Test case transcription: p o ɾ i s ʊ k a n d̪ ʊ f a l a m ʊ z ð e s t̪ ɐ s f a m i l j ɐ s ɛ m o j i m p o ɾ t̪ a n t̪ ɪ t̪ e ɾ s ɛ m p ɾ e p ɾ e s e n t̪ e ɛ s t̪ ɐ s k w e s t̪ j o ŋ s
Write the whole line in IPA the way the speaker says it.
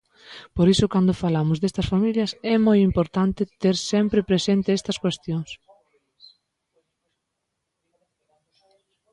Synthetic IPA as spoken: p o ɾ i s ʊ k a n d̪ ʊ f a l a m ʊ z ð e s t̪ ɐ s f a m i l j ɐ s ɛ m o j i m p o ɾ t̪ a n t̪ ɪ t̪ e ɾ s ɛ m p ɾ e p ɾ e s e n t̪ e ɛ s t̪ ɐ s k w e s t̪ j o ŋ s